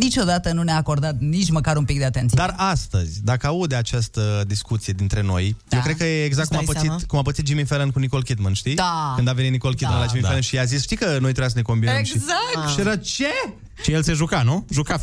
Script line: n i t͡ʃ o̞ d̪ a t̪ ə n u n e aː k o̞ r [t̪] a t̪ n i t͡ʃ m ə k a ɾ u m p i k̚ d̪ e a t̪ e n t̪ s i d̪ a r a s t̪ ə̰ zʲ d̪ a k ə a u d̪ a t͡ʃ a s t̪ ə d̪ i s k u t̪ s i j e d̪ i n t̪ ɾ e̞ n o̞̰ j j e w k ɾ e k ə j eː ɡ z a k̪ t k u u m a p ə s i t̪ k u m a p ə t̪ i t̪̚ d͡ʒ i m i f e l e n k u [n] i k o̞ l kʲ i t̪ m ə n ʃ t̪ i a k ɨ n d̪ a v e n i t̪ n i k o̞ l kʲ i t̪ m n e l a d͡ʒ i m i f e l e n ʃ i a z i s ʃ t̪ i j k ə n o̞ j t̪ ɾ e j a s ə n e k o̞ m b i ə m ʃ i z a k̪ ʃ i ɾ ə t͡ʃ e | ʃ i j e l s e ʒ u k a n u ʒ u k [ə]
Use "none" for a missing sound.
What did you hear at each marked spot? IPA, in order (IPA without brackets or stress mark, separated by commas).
d̪, n, a